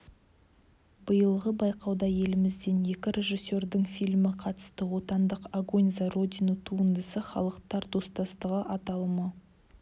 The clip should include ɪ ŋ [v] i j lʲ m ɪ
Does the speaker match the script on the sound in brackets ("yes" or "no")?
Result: no